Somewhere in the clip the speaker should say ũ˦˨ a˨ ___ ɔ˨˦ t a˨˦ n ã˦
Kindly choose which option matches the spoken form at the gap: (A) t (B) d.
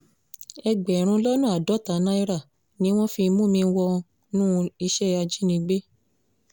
B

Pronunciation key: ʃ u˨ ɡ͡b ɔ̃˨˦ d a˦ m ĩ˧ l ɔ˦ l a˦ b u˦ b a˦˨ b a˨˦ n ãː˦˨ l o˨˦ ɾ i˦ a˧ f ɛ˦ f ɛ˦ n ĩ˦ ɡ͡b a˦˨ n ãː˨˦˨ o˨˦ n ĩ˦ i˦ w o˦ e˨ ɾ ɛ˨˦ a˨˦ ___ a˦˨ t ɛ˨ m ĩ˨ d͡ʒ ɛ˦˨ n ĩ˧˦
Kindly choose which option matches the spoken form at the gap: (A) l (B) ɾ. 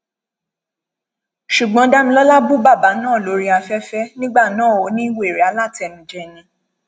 A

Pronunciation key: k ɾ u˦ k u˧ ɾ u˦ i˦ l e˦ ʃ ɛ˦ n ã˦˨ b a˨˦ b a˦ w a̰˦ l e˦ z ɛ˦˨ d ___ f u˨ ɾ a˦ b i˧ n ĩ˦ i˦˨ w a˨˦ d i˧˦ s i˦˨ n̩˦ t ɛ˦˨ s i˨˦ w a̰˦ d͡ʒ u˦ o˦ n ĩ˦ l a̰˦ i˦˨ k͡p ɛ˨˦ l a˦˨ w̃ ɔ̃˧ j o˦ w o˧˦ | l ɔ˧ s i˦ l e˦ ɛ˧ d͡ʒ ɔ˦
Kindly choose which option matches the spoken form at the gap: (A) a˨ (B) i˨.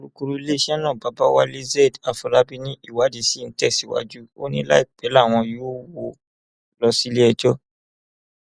A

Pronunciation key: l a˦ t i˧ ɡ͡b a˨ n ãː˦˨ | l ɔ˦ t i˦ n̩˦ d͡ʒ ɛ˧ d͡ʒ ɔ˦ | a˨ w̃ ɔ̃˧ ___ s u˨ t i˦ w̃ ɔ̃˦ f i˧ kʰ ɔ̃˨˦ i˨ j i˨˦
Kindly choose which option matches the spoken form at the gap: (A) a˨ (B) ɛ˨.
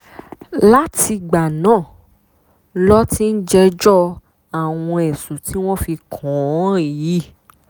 B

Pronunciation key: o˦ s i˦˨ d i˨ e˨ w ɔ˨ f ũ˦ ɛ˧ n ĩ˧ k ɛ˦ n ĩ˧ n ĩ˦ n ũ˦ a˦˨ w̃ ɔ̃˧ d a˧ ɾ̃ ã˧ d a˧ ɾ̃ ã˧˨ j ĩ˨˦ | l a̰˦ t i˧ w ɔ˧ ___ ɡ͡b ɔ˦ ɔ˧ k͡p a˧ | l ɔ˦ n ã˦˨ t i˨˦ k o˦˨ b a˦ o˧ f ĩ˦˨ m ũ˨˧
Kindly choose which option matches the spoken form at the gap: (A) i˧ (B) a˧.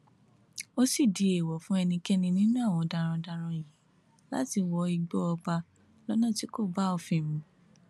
A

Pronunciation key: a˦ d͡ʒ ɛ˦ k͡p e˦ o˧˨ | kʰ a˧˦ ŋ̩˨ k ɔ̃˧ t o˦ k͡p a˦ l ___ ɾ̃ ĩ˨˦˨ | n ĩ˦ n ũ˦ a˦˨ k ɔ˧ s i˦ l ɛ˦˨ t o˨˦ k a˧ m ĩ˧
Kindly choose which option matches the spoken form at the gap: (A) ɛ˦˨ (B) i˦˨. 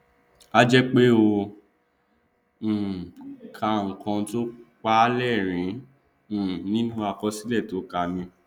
A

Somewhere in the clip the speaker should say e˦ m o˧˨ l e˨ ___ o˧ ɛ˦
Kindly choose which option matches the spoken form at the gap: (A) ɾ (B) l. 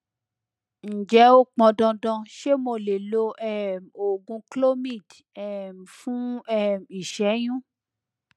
B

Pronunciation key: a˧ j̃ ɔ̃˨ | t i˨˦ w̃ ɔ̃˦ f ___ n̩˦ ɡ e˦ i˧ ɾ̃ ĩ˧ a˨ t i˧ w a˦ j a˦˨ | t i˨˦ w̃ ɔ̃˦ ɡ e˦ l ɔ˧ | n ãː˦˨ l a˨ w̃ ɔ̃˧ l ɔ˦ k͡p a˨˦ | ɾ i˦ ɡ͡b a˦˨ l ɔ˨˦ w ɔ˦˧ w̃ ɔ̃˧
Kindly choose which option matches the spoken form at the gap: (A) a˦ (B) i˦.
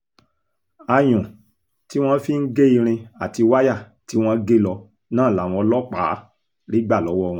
B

